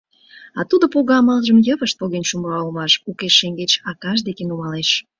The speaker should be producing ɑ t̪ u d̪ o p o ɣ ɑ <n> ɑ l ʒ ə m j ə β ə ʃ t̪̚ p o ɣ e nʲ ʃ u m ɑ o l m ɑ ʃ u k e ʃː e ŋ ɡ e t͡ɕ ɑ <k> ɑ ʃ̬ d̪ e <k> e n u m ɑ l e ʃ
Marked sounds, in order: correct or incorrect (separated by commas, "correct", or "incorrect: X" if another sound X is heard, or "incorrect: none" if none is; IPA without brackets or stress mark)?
incorrect: m, correct, correct